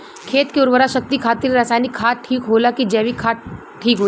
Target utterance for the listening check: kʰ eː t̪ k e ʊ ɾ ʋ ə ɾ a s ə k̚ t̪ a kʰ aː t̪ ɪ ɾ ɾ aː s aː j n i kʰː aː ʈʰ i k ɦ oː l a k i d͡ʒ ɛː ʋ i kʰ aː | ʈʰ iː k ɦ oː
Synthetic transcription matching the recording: kʰ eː t̪ k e ʊ ɾ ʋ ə ɾ a ʃ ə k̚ t̪ i kʰ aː t̪ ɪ ɾ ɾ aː s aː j n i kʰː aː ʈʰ iː k ɦ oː l a k i d͡ʒ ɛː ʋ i kʰ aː | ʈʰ iː k ɦ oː